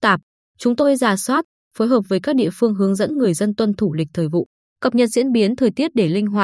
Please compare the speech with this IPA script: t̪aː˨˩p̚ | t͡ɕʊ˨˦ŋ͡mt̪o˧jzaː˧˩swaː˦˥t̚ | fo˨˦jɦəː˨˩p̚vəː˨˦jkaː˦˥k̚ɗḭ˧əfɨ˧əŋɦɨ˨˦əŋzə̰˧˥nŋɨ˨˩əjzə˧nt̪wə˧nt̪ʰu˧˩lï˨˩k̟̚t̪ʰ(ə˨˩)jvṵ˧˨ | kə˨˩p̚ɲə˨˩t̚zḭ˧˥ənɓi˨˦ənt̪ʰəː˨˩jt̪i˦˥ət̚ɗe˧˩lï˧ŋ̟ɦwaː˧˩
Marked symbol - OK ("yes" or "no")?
no